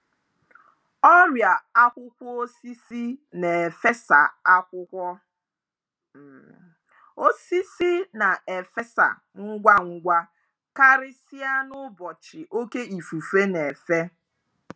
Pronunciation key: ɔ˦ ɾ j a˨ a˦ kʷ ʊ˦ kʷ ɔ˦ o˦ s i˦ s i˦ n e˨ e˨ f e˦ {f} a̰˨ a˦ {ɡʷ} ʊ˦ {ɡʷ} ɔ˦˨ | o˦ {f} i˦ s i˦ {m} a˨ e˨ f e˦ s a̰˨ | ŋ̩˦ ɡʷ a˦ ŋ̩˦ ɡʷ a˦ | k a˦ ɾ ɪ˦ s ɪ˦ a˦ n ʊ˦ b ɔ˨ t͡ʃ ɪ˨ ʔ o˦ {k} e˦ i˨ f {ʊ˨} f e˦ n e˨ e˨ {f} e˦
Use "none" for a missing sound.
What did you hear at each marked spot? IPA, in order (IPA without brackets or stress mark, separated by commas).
s, kʷ, kʷ, s, n, k, u˨, f